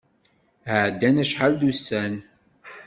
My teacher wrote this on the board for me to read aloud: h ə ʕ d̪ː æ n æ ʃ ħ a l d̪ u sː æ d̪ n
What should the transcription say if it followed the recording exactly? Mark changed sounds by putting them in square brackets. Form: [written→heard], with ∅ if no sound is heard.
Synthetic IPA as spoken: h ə ʕ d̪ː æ n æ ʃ ħ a l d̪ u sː æ [d̪→∅] n

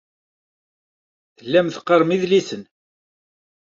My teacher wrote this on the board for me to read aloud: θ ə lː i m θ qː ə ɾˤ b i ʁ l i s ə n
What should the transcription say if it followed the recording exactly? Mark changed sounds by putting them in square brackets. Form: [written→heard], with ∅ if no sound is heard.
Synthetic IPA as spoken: θ ə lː [i→æ] m θ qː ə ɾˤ [b→m] i [ʁ→ð] l i s ə n

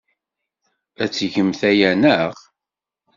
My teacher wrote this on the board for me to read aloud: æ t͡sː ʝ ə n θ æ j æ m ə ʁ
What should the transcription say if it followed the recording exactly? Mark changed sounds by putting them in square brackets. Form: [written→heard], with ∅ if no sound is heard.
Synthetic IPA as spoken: æ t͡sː ʝ ə [n→m] θ æ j æ [m→n] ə ʁ

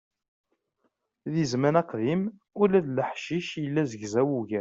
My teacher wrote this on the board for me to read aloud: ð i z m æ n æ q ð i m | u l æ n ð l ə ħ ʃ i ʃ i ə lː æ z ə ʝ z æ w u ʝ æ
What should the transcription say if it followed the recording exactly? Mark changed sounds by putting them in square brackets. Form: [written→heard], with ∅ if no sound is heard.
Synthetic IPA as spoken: ð i z m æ n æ q ð i m | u l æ [n→∅] ð l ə ħ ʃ i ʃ [i→j] ə lː æ z ə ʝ z æ w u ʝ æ

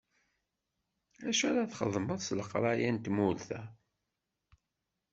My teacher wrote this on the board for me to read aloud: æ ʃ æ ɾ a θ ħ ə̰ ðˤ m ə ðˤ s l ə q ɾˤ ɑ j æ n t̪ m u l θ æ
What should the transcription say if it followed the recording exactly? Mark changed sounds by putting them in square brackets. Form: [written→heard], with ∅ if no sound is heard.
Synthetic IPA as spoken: æ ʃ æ ɾ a θ [ħ→χ] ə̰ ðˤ m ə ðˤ s l ə q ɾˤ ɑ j æ n t̪ m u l θ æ

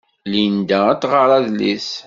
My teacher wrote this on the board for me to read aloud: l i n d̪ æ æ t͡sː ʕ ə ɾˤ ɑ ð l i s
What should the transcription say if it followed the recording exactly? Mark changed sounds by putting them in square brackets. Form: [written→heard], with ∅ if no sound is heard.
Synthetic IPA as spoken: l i n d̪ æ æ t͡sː [ʕ→ʁ] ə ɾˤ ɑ ð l i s

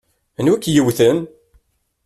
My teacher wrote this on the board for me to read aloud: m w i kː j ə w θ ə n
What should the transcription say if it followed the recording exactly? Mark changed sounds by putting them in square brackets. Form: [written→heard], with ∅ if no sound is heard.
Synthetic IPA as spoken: [m→n] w [i→æ] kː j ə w θ ə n

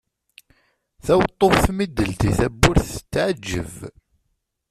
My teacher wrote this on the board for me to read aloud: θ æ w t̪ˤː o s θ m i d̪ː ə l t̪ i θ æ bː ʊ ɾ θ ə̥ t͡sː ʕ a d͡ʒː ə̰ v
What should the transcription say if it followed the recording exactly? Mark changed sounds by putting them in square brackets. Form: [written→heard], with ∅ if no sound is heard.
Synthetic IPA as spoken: θ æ w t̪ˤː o [s→f] θ m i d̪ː ə l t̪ i θ æ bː ʊ ɾ θ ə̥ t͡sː ʕ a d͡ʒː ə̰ v

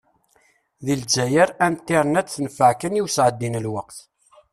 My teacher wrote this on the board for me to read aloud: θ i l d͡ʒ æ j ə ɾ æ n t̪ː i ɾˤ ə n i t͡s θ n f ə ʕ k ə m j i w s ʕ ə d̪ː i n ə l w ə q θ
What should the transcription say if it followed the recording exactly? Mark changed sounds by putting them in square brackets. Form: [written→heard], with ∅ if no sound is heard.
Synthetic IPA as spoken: [θ→ð] i l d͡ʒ æ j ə ɾ æ n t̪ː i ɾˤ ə n [i→æ] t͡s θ n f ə ʕ k ə [m→n] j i w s ʕ ə d̪ː i n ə l w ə q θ

